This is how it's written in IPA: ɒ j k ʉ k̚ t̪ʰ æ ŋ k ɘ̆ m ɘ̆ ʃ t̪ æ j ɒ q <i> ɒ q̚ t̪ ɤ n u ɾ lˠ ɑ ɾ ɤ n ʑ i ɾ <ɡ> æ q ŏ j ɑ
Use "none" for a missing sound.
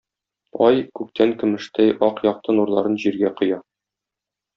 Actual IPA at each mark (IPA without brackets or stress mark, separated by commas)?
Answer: j, ɡ